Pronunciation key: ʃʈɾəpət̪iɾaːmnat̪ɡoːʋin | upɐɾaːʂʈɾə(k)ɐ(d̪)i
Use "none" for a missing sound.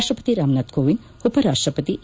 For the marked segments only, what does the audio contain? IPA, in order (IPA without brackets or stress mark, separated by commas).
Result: p, t̪